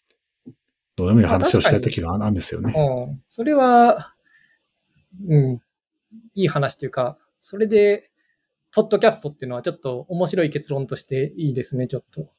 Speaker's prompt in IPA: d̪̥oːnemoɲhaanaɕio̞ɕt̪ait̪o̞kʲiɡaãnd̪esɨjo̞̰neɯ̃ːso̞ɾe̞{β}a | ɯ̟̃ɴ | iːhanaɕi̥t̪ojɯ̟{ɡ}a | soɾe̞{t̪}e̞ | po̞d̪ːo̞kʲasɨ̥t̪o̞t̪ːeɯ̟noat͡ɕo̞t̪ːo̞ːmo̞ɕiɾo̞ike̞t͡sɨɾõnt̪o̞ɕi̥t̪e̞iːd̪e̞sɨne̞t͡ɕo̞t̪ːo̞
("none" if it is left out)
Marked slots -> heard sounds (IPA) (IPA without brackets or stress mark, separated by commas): β, k, d̪